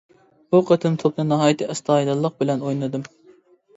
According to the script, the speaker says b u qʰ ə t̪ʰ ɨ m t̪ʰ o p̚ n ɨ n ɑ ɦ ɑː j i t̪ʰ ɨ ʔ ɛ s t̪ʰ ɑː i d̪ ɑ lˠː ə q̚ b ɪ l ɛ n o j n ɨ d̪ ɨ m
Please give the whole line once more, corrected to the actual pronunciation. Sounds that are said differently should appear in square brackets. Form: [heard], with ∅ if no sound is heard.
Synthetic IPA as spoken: b u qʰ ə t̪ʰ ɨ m t̪ʰ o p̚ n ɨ n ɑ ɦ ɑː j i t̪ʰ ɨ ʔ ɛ s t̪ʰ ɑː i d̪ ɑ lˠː ə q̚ b ɪ l ɛ n o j n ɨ d̪ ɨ m